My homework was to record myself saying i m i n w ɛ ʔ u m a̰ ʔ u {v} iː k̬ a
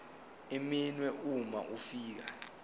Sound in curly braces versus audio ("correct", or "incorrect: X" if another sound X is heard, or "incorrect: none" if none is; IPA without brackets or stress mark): incorrect: f